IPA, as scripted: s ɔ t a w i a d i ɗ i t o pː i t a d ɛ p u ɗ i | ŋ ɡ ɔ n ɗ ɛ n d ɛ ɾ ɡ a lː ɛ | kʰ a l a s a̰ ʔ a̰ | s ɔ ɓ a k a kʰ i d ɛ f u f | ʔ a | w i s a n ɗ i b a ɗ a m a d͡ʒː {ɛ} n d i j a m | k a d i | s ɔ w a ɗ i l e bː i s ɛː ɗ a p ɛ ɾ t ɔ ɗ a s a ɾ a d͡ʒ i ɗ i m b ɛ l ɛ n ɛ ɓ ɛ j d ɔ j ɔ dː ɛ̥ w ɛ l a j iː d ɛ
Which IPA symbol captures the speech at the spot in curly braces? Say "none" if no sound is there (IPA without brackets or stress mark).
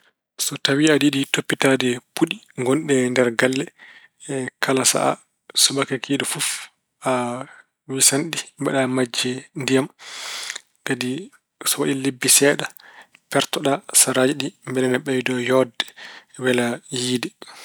ɛ